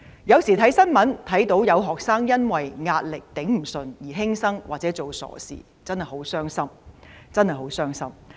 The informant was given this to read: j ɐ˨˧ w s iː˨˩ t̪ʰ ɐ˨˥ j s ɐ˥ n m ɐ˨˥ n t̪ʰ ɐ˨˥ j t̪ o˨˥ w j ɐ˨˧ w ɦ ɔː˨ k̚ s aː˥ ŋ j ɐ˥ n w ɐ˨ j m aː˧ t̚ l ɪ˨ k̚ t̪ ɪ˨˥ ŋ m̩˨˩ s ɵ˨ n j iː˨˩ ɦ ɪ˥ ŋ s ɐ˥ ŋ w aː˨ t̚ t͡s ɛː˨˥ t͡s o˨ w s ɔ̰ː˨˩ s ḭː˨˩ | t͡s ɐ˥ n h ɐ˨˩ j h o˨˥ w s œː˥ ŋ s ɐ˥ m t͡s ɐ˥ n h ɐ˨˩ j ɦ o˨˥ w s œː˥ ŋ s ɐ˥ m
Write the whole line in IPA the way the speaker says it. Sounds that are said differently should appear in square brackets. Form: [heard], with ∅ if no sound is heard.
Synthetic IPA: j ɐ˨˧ w s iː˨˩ t̪ʰ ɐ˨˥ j s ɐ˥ n m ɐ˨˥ n t̪ʰ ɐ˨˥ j t̪ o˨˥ w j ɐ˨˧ w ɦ ɔː˨ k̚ s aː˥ ŋ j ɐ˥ n w ɐ˨ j [ŋ] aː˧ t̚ l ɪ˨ k̚ t̪ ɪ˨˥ ŋ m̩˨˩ s ɵ˨ n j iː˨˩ ɦ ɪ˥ ŋ s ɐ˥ ŋ w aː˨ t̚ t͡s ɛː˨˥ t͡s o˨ w s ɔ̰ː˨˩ s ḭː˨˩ | t͡s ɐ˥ n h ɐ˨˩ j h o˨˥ w s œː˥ ŋ s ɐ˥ m t͡s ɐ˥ n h ɐ˨˩ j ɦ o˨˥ w s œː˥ ŋ s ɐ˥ m

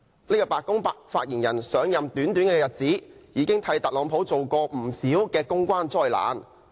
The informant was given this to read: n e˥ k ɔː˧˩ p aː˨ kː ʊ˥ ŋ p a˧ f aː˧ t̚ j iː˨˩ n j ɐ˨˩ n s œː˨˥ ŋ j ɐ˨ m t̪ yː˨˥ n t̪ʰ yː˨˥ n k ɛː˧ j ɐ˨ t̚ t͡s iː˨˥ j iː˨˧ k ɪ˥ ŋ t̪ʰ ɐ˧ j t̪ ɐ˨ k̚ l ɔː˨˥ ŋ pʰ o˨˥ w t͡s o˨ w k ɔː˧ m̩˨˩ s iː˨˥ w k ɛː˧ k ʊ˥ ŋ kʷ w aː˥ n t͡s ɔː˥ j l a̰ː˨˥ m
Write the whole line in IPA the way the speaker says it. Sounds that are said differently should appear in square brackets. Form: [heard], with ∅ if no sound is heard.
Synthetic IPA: n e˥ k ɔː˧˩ p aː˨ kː ʊ˥ ŋ p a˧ f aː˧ t̚ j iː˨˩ n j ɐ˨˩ n s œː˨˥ ŋ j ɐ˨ m t̪ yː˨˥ n [t̪] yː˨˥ n k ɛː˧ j ɐ˨ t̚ t͡s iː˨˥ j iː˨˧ k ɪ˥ ŋ t̪ʰ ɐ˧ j t̪ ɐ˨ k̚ l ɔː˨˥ ŋ pʰ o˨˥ w t͡s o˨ w k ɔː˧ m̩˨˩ s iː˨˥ w k ɛː˧ k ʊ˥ ŋ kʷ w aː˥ n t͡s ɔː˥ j l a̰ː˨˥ [n]

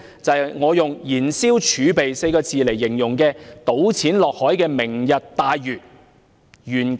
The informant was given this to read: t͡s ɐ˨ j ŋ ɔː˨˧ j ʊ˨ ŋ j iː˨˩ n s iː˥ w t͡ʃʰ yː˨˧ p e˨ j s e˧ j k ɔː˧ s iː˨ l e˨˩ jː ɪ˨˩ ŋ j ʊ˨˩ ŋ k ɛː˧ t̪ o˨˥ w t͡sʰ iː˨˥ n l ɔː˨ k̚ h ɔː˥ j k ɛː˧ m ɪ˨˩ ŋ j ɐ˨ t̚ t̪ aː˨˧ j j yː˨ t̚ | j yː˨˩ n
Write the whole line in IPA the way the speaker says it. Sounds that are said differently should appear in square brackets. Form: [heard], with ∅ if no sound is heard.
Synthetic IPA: t͡s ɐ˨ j ŋ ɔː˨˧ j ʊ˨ ŋ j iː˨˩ n s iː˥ w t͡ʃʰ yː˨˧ p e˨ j s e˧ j k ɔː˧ [t͡s] iː˨ l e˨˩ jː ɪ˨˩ ŋ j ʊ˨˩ ŋ k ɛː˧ t̪ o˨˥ w t͡sʰ iː˨˥ n l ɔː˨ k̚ h [ɔː˨˥] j k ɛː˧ m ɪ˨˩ ŋ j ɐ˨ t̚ t̪ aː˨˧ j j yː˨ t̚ | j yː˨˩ n

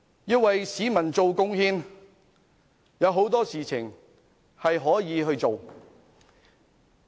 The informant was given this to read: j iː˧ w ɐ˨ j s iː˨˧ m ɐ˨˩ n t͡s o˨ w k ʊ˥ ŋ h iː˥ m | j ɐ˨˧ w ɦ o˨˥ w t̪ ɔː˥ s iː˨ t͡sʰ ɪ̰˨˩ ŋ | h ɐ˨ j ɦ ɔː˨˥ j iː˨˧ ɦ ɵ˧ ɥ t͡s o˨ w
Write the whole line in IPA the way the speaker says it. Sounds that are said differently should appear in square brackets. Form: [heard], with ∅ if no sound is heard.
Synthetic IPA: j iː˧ w ɐ˨ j s iː˨˧ m ɐ˨˩ n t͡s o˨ w k ʊ˥ ŋ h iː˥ [n] | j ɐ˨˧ w ɦ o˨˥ w t̪ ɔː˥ s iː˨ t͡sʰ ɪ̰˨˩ ŋ | h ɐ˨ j ɦ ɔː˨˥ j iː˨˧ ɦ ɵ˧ ɥ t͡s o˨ w

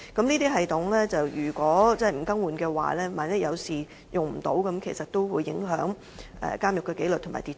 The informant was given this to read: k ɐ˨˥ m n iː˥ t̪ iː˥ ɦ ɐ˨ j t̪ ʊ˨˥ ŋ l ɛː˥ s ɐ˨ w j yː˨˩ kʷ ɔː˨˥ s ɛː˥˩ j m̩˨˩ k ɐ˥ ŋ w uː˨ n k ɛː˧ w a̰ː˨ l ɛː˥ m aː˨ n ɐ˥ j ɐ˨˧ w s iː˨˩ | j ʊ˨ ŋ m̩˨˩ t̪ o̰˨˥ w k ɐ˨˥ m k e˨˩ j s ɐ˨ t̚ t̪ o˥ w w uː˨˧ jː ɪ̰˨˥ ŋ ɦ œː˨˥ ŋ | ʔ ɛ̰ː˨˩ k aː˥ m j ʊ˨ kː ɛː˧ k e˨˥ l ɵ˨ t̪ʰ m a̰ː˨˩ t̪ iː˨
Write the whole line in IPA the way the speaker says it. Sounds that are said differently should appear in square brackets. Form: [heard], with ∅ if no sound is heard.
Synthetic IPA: k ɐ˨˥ m n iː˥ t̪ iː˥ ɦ ɐ˨ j t̪ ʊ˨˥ ŋ l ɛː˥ [t͡s] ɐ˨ w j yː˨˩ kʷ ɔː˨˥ [t͡s] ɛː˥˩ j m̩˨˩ k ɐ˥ ŋ w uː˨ n k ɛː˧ w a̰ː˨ l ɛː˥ m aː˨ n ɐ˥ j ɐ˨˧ w s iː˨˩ | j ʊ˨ ŋ m̩˨˩ t̪ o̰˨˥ w k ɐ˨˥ m [kʰ] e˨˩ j s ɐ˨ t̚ t̪ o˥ w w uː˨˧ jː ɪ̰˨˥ ŋ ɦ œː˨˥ ŋ | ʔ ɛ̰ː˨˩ k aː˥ m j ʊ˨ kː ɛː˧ k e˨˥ l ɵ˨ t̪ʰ m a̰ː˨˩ t̪ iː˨

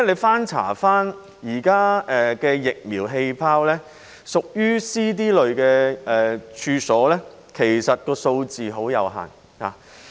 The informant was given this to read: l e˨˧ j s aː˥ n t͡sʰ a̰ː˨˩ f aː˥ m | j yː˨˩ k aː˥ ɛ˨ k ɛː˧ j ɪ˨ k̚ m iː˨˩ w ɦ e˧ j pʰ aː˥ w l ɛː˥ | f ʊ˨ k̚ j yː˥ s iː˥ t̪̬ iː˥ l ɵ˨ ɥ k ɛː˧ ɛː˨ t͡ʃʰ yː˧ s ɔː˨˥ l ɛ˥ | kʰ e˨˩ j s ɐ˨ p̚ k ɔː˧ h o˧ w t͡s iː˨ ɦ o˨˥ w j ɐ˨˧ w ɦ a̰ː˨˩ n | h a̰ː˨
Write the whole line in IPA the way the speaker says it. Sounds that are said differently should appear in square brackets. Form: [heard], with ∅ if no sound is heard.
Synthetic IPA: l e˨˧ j [f] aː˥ n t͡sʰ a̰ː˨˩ f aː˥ [n] | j [iː˨˩] k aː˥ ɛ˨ k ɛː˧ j ɪ˨ k̚ m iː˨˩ w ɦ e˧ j pʰ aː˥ w l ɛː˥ | [s] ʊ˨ k̚ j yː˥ s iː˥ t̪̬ iː˥ l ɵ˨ ɥ k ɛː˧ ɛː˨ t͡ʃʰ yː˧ s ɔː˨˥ l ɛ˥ | kʰ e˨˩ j s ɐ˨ [t̚] k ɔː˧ [s] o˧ w t͡s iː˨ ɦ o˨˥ w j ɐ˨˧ w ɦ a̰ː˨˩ n | h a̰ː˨

